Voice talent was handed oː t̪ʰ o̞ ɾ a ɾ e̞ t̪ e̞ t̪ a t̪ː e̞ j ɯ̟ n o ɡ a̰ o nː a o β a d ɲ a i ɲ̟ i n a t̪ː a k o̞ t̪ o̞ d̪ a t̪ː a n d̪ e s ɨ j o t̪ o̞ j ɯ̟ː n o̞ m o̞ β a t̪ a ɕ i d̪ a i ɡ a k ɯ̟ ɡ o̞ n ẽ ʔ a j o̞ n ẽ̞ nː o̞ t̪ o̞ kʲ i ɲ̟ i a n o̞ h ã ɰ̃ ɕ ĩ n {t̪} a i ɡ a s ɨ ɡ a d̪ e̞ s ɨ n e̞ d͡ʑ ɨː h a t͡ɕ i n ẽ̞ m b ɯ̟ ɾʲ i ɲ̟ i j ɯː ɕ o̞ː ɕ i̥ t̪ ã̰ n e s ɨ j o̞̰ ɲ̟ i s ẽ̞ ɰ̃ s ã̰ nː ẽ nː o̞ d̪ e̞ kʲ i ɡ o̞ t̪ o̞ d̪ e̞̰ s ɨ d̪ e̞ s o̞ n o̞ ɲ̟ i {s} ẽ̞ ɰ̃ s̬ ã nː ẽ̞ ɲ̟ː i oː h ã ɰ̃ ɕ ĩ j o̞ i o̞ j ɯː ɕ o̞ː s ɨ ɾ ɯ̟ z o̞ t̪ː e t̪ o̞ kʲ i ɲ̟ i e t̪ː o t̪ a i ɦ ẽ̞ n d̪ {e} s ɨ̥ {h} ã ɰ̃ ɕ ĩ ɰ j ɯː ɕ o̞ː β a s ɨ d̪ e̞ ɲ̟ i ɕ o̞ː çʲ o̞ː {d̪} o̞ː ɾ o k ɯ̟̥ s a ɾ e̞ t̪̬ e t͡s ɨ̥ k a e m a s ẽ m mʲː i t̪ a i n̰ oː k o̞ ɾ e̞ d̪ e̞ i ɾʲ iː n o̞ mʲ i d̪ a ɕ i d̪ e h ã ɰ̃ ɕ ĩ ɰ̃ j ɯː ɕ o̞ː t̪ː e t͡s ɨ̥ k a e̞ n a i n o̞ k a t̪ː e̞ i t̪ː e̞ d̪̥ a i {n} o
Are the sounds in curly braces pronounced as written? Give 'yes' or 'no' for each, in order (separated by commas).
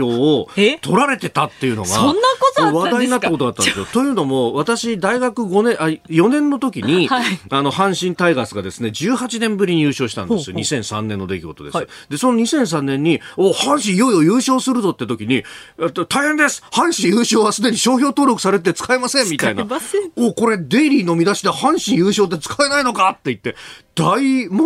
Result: yes, yes, yes, yes, no, no